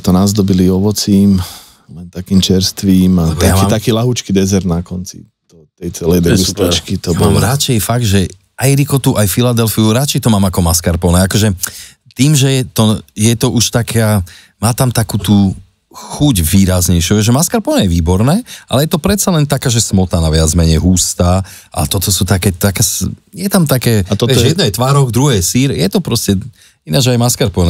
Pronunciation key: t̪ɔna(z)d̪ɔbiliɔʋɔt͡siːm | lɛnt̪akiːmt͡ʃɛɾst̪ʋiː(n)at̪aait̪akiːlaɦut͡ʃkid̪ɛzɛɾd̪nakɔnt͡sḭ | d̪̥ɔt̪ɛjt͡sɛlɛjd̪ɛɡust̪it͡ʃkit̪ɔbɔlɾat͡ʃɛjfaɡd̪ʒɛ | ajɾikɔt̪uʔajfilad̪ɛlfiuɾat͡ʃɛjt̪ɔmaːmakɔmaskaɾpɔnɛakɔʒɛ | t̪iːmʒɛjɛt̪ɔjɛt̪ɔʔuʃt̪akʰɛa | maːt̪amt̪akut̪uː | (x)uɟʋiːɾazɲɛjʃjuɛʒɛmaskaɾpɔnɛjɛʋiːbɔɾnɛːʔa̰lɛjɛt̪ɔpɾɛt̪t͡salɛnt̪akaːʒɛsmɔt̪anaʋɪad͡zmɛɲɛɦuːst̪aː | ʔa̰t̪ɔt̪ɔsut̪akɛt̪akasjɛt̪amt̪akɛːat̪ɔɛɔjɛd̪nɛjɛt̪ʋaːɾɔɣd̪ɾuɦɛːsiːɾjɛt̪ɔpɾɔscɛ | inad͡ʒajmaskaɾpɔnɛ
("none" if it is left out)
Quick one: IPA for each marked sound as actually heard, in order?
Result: z, m, x

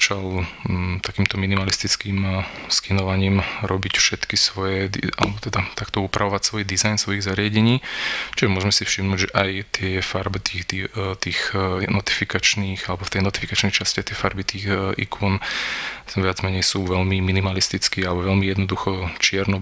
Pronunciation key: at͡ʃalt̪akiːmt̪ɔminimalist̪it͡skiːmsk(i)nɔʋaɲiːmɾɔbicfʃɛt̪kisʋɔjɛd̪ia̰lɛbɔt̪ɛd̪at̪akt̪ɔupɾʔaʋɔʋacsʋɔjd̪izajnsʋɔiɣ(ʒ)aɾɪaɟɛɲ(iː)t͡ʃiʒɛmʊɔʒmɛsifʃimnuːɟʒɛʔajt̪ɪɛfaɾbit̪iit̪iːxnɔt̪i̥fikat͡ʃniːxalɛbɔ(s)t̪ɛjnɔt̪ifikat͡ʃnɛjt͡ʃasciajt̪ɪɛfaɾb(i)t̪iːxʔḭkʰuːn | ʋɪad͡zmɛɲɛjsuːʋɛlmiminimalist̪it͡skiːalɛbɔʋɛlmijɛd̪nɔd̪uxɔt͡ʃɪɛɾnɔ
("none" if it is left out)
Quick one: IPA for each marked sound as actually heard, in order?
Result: i, z, iː, f, i

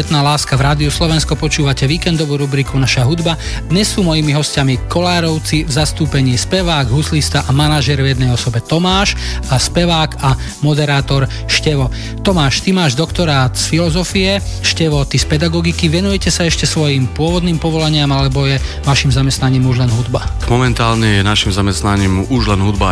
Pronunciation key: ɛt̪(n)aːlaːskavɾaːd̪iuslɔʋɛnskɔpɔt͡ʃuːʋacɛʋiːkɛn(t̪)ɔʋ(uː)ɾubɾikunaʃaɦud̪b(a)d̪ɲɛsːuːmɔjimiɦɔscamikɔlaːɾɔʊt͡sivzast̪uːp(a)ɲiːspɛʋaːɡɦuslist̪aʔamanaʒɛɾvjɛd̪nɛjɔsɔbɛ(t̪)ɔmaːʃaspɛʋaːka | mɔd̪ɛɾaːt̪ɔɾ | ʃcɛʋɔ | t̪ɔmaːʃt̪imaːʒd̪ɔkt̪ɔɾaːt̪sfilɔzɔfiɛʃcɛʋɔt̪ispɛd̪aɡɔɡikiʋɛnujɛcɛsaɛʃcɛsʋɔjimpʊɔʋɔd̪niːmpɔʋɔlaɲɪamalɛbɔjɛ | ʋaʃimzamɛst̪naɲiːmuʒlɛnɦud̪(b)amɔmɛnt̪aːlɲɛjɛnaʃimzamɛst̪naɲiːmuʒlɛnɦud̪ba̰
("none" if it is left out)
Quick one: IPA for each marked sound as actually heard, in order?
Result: n, d̪, uː, a, ɛ, t̪, b

